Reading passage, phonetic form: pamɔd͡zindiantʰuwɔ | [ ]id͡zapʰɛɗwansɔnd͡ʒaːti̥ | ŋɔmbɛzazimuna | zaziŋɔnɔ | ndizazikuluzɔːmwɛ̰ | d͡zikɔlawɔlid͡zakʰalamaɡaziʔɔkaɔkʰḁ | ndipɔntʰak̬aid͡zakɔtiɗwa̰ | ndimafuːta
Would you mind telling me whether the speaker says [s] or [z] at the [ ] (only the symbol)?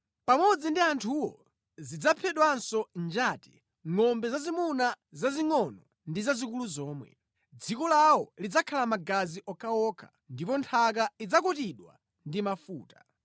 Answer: z